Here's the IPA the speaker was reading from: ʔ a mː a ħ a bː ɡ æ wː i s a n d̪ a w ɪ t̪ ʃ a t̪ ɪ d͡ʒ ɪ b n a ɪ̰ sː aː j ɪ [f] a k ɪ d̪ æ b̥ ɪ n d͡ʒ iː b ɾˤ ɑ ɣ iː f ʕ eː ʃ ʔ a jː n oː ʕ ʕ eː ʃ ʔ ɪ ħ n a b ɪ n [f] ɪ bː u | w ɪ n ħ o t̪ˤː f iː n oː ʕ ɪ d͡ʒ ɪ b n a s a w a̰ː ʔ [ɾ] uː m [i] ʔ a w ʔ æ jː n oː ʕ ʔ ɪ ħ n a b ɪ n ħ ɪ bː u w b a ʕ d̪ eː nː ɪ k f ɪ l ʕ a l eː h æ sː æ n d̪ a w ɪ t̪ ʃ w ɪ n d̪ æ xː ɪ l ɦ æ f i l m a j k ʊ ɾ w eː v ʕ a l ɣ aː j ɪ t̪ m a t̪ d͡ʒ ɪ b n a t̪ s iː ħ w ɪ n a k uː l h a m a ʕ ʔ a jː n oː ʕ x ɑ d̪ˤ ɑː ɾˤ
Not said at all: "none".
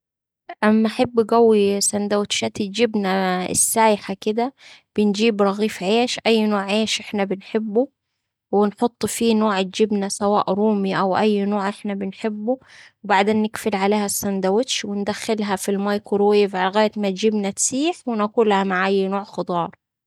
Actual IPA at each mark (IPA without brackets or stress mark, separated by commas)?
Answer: ħ, ħ, ɾ, i